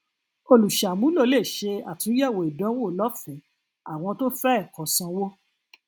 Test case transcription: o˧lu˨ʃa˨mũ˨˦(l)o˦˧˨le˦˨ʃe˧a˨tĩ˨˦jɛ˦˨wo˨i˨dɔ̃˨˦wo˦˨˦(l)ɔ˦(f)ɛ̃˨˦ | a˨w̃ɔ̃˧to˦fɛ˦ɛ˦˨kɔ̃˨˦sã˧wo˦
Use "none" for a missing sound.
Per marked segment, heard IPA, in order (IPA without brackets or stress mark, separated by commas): l, l, f